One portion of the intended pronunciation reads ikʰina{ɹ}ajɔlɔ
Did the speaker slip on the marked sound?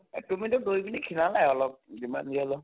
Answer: yes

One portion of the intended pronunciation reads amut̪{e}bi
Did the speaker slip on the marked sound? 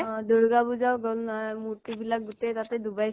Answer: yes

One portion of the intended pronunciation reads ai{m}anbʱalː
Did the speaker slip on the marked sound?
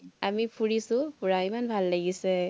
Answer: no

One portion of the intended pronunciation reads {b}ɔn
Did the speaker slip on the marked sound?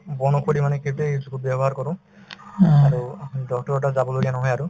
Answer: no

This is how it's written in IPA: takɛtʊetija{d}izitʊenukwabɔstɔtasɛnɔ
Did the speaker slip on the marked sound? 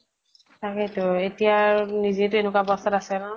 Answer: yes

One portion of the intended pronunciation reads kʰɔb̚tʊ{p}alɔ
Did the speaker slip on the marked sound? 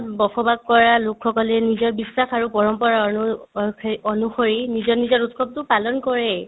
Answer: no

